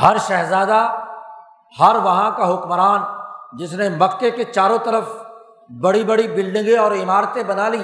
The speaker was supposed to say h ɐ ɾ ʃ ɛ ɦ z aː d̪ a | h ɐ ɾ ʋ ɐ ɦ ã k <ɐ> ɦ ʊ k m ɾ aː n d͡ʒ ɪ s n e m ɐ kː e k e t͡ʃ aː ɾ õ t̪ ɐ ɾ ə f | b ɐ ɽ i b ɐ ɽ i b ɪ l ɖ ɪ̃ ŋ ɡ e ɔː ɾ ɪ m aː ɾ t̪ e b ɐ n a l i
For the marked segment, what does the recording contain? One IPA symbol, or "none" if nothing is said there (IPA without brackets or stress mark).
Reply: a